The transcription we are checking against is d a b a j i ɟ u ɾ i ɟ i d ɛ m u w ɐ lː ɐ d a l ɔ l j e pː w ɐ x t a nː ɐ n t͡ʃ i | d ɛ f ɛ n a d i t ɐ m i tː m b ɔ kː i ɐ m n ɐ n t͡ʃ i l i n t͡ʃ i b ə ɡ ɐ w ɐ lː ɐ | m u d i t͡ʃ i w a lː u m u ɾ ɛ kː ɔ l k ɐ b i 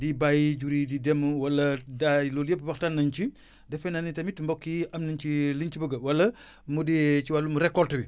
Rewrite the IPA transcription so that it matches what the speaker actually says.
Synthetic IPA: d i b a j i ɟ u ɾ i d i d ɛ m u w ɐ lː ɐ d a l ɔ l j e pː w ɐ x t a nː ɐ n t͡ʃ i | d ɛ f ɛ n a n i t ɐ m i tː m b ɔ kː i ɐ m n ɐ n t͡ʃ i l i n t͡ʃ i b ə ɡ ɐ w ɐ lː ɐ | m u d i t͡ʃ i w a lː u m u ɾ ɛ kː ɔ l t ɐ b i